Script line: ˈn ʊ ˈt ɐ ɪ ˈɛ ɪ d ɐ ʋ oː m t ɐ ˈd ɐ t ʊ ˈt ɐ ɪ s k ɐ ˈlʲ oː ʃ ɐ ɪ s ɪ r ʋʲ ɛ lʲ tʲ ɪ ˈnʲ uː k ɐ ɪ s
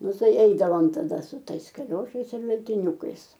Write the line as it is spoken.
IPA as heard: ˈn ʊ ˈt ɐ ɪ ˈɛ ɪ d ɐ ʋ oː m t ɐ ˈd ɐ s ʊ ˈt ɐ ɪ s k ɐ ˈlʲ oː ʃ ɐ ɪ s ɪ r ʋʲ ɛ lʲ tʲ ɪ ˈnʲ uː k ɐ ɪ s